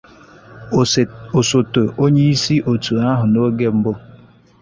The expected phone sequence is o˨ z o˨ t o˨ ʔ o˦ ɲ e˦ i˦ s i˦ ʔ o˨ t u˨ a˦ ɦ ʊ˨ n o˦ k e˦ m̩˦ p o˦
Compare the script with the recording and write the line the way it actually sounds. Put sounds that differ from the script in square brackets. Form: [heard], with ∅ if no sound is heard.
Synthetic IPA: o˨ [s] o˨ t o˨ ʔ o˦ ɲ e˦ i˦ s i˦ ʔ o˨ t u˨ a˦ ɦ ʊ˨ n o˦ [ɡ] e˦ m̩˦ [b] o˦